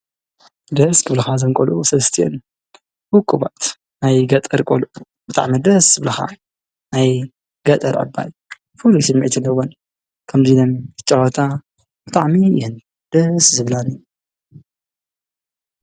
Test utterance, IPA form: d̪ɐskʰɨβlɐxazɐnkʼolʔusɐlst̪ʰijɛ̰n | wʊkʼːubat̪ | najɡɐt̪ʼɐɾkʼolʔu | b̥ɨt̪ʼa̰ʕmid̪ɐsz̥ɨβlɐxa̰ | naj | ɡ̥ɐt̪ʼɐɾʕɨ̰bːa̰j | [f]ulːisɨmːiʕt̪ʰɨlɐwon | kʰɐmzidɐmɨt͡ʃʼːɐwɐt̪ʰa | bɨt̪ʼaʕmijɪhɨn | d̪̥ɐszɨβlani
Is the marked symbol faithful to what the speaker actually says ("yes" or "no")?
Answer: yes